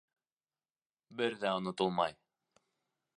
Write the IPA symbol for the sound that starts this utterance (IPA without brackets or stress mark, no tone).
b